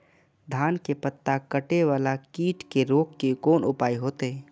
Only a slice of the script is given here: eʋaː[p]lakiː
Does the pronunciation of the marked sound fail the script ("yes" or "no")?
yes